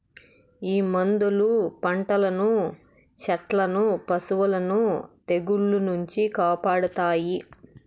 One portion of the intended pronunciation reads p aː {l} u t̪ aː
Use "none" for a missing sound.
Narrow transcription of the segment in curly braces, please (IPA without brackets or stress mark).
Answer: ɽ